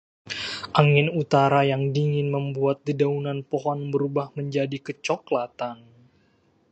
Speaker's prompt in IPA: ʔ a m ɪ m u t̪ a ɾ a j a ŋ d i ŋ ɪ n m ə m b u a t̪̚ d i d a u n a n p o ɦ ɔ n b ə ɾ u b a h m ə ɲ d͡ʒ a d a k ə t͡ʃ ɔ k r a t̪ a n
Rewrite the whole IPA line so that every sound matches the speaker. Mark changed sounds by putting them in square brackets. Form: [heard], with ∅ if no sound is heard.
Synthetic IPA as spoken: ʔ a [ŋ] ɪ [n] u t̪ a ɾ a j a ŋ d i ŋ ɪ n m ə m b u a t̪̚ d i d a u n a n p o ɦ ɔ n b ə ɾ u b a h m ə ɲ d͡ʒ a d [i] k ə t͡ʃ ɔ k [l] a t̪ a n

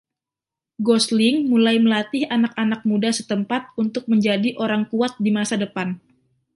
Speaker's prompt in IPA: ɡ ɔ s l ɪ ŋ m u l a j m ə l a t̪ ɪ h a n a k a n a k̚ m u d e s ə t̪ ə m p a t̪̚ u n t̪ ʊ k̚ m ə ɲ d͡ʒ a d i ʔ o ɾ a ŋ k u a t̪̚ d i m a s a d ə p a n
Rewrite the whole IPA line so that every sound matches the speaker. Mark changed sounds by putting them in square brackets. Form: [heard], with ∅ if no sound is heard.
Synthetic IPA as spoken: ɡ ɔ s l ɪ ŋ m u l a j m ə l a t̪ ɪ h a n a k a n a k̚ m u d [a] s ə t̪ ə m p a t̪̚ u n t̪ ʊ k̚ m ə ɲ d͡ʒ a d i ʔ o ɾ a ŋ k u a t̪̚ d i m a s a d ə p a n

